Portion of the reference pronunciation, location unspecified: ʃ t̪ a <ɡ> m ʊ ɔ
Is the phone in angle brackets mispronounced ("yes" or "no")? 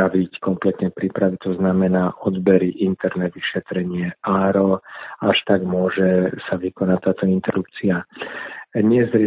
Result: no